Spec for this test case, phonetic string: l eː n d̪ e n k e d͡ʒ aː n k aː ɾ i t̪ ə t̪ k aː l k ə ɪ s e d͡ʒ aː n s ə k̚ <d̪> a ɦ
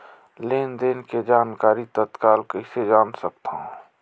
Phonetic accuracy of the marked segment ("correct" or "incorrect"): incorrect